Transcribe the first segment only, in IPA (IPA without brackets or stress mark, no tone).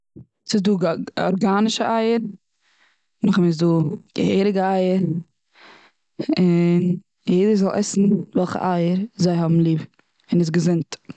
s